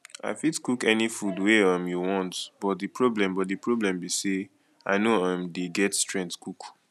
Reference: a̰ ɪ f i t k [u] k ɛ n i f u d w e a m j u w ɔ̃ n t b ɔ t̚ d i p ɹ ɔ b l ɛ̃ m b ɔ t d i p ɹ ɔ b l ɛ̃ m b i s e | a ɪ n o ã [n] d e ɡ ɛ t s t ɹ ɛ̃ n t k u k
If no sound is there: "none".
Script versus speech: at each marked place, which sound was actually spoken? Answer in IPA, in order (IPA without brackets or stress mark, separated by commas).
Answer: u, m